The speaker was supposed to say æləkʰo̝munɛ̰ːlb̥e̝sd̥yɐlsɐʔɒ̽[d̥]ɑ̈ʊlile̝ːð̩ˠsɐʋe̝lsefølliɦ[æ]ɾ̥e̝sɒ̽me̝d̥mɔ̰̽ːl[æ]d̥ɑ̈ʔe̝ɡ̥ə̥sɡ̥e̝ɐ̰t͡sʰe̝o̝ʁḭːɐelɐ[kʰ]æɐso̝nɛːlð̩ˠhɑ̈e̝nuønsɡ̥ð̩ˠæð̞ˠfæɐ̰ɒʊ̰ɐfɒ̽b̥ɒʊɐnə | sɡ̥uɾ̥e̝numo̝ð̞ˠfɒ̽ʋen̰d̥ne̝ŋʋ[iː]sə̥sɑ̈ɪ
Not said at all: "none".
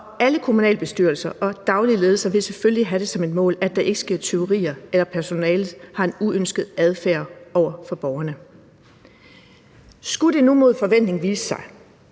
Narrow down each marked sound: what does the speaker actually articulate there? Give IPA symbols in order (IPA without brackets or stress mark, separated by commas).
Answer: d̥, æ, æ, pʰ, iː